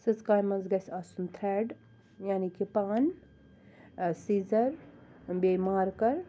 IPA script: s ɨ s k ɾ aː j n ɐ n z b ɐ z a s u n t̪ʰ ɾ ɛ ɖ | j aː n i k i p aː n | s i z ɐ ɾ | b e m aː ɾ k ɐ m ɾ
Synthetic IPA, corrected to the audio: s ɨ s k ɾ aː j m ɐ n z ɡ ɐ s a s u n t̪ʰ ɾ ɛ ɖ | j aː n i k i p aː n | s i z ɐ ɾ | b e m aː ɾ k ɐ ɾ